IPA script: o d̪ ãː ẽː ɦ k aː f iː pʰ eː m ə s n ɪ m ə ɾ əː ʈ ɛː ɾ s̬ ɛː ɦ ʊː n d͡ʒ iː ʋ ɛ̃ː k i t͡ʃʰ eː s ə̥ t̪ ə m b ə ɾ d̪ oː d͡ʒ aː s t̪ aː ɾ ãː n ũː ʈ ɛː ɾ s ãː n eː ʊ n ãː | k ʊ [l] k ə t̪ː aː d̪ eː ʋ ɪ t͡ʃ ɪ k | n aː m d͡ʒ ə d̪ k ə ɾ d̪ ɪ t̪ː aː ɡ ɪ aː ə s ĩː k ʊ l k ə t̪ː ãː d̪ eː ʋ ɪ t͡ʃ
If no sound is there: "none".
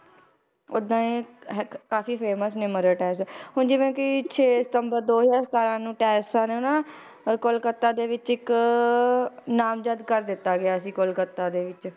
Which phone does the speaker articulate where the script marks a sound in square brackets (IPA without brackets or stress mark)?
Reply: l